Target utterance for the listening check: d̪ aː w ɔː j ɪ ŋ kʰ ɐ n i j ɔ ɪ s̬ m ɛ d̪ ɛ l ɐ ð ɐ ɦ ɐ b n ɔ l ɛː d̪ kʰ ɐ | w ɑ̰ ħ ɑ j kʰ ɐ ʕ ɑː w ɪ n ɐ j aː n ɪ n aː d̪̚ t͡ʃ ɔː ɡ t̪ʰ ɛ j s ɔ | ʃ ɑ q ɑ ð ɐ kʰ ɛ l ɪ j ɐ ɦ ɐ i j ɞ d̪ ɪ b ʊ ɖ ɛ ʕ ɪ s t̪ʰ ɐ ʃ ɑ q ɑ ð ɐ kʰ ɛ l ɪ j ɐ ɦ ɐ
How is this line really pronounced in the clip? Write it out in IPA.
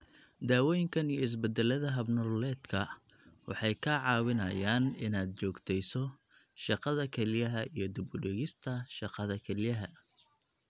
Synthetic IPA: d̪ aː w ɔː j ɪ ŋ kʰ ɐ n i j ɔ ɪ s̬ b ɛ d̪ ɛ l ɐ ð ɐ ɦ ɐ b n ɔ l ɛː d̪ kʰ ɐ | w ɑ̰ ħ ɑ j kʰ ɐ ʕ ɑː w ɪ n ɐ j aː n ɪ n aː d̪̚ t͡ʃ ɔː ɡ t̪ʰ ɛ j s ɔ | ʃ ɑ q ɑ ð ɐ kʰ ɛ l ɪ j ɐ ɦ ɐ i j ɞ d̪ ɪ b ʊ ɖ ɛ ɣ ɪ s t̪ʰ ɐ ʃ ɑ q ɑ ð ɐ kʰ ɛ l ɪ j ɐ ɦ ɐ